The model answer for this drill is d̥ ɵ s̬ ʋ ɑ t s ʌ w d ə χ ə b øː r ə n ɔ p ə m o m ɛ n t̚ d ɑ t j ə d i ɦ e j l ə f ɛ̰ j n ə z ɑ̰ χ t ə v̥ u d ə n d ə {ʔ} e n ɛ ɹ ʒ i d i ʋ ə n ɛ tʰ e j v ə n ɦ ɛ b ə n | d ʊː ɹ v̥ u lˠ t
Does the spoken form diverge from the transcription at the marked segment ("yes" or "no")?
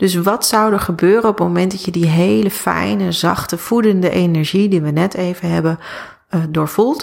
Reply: no